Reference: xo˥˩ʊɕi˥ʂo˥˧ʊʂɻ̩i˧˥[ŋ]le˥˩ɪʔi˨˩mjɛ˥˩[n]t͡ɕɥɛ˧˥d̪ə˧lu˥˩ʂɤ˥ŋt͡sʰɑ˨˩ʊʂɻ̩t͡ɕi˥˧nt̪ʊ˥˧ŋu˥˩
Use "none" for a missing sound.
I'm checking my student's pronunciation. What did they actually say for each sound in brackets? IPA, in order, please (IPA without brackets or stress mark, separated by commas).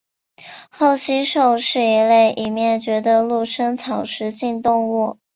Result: none, n